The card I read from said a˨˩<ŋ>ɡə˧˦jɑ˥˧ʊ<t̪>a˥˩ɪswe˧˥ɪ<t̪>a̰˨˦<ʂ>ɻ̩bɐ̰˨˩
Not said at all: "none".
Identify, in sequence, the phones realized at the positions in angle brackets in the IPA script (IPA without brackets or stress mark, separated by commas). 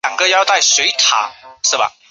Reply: ŋ, t̪, t̪ʰ, ʂ